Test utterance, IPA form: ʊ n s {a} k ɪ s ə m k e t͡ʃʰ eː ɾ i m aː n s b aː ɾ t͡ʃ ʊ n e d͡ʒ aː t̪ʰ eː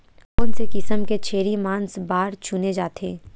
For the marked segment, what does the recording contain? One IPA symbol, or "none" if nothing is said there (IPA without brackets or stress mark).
e